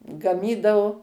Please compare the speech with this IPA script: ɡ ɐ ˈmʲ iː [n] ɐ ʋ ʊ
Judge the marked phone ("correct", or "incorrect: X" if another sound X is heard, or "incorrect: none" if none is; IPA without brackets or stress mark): incorrect: d